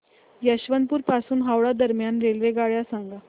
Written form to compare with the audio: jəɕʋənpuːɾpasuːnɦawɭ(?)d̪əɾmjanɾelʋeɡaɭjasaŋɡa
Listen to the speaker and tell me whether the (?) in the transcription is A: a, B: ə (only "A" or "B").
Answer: A